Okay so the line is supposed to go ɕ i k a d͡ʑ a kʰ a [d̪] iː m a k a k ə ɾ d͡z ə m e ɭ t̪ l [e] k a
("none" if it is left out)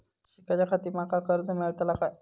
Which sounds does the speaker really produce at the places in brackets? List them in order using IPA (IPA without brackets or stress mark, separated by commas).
t̪, a